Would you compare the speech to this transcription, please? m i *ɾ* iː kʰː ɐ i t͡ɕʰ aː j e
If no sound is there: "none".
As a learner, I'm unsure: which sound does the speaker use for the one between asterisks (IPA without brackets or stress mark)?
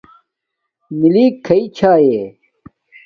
l